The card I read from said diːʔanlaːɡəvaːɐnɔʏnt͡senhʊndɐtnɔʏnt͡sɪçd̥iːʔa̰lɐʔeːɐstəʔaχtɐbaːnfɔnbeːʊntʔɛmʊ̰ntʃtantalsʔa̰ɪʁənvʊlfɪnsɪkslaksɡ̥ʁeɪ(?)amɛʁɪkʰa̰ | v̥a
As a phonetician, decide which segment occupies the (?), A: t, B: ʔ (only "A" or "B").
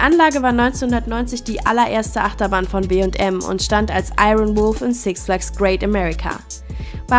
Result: A